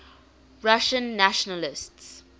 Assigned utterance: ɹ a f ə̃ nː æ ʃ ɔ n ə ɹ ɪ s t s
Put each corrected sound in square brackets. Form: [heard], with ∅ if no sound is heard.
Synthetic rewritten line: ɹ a [ʃ] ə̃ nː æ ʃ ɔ n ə [l] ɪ s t s